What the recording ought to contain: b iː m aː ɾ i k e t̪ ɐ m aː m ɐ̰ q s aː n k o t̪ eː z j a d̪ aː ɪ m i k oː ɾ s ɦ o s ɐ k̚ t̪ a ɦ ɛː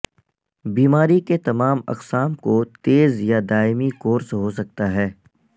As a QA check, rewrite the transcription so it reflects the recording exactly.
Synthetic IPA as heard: b iː m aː ɾ i k e t̪ ɐ m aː m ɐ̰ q s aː m k o t̪ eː z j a d̪ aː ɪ m i k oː ɾ s ɦ o s ɐ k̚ t̪ a ɦ ɛː